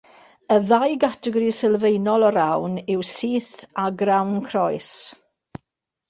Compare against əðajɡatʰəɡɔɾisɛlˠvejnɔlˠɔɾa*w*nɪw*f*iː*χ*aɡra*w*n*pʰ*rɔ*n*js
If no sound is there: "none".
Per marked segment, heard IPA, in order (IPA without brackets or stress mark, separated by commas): w, s, θ, w, kʰ, none